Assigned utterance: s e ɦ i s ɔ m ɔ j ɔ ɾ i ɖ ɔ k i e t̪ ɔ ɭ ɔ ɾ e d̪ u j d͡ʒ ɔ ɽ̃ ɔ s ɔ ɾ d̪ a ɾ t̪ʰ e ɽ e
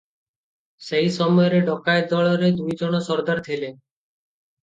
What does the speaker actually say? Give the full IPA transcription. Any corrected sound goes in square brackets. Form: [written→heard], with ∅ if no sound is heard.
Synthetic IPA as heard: s e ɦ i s ɔ m ɔ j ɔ ɾ [i→e] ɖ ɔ k [i→a] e [t̪→d̪] ɔ ɭ ɔ ɾ e d̪ u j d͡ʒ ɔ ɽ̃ ɔ s ɔ ɾ d̪ a ɾ t̪ʰ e [ɽ→l] e